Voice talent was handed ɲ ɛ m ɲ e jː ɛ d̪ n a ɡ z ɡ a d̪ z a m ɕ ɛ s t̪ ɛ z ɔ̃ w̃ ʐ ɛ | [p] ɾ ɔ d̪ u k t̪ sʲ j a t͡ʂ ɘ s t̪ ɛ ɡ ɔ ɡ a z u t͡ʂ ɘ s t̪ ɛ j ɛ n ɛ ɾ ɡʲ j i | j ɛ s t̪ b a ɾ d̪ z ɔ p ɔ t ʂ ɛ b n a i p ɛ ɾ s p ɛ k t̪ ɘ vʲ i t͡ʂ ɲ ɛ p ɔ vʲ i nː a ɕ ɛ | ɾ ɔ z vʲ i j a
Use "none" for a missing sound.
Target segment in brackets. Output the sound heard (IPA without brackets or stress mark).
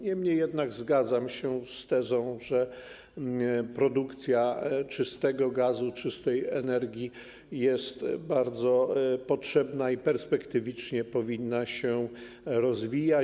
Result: p